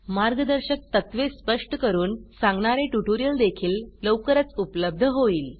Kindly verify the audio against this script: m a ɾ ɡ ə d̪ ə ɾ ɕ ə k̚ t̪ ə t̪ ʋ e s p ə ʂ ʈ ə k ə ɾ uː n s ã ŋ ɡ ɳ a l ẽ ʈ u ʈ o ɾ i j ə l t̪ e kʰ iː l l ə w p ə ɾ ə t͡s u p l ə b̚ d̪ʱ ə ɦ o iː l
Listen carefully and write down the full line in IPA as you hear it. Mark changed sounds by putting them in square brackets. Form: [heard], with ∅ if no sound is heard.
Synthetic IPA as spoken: m a ɾ ɡ ə d̪ ə ɾ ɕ ə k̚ t̪ ə t̪ ʋ e s p ə ʂ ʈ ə k ə ɾ uː n s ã ŋ ɡ ɳ a [ɾ] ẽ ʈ u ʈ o ɾ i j ə l [d̪] e kʰ iː l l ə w [k] ə ɾ ə t͡s u p l ə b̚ d̪ʱ ə ɦ o iː l